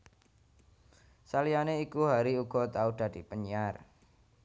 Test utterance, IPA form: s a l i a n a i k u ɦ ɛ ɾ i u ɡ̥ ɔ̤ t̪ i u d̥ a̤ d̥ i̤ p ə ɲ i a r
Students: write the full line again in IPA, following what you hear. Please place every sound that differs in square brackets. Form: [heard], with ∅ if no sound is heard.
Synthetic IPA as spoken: s a l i a n [e] i k u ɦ [a] ɾ i u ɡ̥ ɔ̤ t̪ [a] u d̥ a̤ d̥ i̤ p ə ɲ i a r

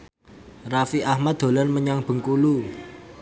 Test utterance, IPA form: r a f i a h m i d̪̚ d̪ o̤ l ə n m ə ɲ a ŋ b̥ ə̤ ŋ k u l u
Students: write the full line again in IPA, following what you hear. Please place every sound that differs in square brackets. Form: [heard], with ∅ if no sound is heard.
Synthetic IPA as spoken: r a f i a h m [a] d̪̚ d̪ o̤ l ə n m ə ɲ a ŋ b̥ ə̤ ŋ k u l u

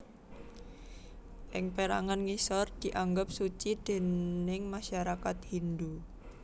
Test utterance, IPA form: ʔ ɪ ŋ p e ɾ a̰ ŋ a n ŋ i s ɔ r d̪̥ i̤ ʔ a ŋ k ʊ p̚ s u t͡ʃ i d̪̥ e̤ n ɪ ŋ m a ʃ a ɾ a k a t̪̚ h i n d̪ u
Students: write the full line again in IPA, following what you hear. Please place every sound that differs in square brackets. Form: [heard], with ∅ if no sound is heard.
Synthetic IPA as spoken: ʔ ɪ ŋ p e ɾ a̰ ŋ a n ŋ i s ɔ r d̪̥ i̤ ʔ a ŋ [ɡ] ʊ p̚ s u t͡ʃ i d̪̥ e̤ n ɪ ŋ m a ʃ a ɾ a k a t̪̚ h i n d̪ u

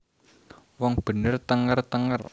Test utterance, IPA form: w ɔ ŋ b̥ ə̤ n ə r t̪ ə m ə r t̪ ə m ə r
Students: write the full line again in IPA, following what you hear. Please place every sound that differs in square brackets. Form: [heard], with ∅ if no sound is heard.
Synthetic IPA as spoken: w ɔ ŋ b̥ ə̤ n ə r t̪ ə [ŋ] ə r t̪ ə [ŋ] ə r

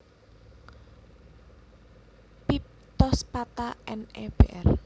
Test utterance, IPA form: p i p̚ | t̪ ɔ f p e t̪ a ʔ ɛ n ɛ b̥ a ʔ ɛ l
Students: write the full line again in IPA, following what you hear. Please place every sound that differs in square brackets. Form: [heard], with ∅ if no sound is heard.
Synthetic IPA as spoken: p i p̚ | t̪ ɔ [s] p [a] t̪ a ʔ ɛ n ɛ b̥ [e] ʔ ɛ [r]

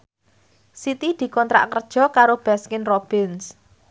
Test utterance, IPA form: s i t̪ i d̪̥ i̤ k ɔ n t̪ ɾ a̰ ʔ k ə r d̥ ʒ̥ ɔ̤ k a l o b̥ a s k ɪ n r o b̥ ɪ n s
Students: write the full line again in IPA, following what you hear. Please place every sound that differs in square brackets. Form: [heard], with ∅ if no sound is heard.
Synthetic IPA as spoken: s i t̪ i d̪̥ i̤ k ɔ n t̪ ɾ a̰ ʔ k ə r d̥ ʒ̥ ɔ̤ k a [ɾ] o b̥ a s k ɪ n r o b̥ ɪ n s

